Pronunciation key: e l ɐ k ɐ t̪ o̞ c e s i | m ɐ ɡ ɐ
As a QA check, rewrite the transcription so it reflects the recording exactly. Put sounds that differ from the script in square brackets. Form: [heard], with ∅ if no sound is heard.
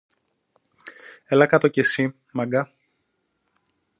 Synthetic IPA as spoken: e l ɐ k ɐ t̪ o̞ c e s i | m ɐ ɡ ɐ